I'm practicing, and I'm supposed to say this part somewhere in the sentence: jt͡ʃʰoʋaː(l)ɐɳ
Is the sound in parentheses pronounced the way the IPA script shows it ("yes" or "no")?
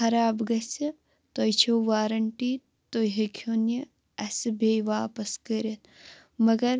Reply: no